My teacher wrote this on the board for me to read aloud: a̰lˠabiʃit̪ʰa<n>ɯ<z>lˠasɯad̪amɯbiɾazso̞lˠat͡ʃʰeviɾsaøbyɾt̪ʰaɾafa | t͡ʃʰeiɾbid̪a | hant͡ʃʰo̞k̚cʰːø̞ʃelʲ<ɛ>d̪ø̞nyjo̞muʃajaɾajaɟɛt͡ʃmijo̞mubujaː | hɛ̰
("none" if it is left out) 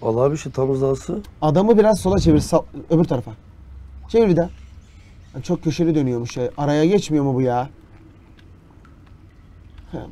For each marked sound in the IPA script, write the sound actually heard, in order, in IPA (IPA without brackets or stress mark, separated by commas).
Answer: m, z, i